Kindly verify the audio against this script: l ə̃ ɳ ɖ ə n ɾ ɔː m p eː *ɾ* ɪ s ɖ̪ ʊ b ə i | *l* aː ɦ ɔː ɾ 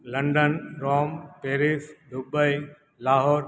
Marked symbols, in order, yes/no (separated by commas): yes, yes